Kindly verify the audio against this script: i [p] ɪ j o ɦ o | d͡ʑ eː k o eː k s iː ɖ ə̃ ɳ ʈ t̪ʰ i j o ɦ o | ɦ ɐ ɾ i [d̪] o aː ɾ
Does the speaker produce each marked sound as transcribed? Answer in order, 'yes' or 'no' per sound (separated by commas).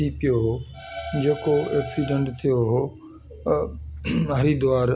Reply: yes, yes